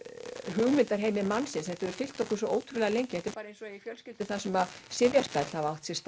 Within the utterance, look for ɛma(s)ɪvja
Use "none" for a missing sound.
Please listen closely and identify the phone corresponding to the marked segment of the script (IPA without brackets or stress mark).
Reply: s